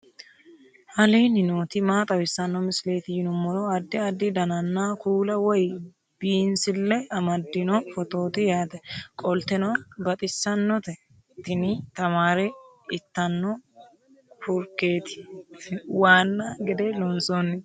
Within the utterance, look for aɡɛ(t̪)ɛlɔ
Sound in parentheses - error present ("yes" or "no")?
yes